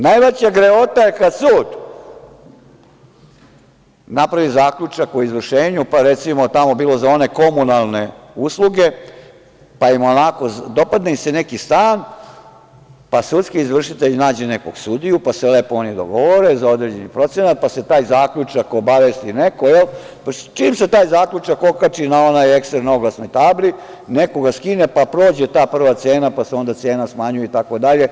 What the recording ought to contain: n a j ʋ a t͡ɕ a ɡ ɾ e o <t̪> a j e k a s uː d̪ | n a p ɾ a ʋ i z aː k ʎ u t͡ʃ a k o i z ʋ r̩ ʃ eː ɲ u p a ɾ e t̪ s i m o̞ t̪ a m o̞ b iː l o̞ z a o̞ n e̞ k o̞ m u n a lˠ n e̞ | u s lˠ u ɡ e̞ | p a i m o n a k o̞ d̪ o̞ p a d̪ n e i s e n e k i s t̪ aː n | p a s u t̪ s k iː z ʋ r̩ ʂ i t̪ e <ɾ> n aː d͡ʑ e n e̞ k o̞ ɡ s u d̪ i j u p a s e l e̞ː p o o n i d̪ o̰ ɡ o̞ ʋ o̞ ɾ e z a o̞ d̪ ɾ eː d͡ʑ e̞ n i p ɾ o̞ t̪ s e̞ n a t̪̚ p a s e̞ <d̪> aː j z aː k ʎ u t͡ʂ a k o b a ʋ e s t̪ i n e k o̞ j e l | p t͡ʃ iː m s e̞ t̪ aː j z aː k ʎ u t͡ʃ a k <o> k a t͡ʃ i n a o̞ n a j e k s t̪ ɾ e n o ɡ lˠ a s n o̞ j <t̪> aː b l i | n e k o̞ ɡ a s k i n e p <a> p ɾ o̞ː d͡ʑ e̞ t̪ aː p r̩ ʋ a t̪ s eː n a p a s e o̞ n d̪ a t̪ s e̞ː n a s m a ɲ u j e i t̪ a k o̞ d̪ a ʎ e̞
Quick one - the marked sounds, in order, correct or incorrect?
correct, incorrect: ʎ, incorrect: t̪, correct, correct, correct

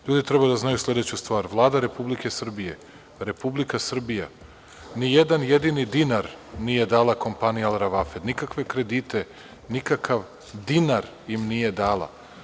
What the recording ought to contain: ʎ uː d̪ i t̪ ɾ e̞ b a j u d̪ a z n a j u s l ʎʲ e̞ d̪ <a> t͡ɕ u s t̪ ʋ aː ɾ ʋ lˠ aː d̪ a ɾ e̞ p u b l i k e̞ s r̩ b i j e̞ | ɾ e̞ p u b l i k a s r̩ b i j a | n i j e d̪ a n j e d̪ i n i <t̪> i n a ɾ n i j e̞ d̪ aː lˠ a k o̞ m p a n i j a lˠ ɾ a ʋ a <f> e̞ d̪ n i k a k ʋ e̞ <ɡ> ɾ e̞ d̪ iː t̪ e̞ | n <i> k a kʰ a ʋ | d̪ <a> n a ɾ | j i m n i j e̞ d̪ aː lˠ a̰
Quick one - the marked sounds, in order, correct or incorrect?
incorrect: e, incorrect: d̪, correct, incorrect: k, correct, incorrect: i

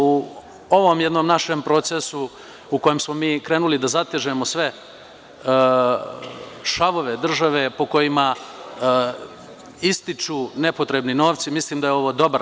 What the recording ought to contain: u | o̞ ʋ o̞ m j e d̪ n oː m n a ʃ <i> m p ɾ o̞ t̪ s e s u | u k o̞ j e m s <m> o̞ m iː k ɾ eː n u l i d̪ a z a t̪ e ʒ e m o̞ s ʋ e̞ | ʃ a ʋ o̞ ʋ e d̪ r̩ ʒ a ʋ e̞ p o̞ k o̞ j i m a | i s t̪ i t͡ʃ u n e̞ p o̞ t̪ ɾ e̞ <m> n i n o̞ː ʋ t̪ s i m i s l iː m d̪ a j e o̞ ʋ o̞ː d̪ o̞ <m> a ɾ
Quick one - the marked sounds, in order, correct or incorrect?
incorrect: e, correct, incorrect: b, incorrect: b

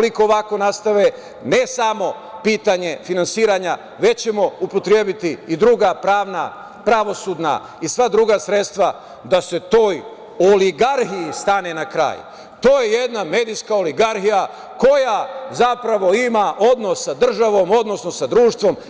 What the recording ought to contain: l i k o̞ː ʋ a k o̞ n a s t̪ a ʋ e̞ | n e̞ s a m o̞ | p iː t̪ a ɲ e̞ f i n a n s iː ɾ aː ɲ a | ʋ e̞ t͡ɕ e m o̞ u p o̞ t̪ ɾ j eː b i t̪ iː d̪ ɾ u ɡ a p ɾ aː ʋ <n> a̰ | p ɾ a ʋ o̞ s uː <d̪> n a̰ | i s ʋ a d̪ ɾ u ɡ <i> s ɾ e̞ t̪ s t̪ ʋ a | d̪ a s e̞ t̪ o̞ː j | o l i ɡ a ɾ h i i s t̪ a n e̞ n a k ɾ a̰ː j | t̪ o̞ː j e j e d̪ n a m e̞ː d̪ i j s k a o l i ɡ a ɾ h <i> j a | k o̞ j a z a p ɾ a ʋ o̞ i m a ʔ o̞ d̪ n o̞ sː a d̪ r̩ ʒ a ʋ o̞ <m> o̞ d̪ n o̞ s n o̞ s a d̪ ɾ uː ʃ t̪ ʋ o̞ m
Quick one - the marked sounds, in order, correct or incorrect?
correct, correct, incorrect: a, correct, correct

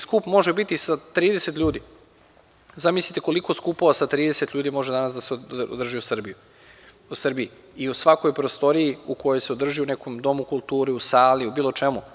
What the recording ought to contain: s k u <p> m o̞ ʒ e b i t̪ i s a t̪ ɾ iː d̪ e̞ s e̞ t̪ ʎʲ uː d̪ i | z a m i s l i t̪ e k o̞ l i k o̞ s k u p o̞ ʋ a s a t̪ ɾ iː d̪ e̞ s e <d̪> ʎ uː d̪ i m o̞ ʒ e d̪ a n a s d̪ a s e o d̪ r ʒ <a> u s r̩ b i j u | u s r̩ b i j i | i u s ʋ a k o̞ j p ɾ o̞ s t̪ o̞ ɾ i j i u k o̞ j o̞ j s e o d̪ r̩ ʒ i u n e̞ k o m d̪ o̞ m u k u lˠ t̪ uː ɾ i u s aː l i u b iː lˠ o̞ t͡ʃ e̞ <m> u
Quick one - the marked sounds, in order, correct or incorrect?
correct, incorrect: t̪, incorrect: i, correct

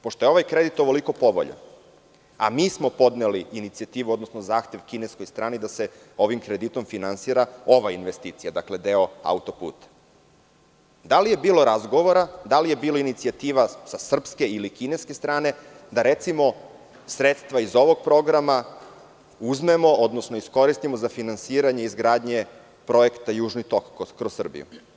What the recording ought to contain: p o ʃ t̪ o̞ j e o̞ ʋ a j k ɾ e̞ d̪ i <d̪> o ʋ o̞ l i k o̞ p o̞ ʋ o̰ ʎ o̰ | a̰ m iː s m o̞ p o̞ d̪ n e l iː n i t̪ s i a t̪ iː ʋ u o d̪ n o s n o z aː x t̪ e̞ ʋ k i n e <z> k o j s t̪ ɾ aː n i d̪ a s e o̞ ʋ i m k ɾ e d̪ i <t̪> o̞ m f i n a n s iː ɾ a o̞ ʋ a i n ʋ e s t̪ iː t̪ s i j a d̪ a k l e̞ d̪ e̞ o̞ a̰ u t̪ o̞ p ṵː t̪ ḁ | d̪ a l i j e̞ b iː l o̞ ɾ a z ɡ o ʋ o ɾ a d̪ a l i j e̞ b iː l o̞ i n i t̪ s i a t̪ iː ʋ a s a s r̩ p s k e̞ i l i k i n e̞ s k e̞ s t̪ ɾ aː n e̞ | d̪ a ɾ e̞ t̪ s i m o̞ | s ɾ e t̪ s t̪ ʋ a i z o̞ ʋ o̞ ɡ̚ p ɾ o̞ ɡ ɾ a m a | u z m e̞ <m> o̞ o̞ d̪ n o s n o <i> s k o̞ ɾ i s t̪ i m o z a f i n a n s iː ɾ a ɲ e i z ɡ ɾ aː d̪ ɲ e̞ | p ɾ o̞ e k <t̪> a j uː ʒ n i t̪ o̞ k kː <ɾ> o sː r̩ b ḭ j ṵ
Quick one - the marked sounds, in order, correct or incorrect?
incorrect: t̪, incorrect: s, correct, correct, correct, correct, correct

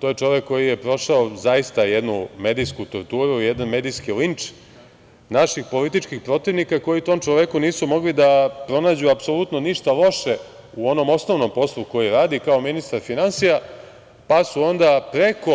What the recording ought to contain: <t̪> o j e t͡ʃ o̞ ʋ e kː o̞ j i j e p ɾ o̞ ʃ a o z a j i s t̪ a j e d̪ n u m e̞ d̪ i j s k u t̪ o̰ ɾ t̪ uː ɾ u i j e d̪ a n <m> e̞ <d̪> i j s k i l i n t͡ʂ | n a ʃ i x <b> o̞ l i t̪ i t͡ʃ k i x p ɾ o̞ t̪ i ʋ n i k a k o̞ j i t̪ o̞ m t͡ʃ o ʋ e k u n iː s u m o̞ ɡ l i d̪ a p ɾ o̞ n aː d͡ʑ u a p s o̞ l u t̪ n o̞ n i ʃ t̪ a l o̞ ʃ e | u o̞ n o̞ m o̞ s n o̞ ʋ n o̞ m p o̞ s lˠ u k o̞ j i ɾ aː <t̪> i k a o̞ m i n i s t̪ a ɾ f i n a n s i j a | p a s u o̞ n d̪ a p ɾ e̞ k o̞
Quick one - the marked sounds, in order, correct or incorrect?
correct, correct, correct, incorrect: p, incorrect: d̪

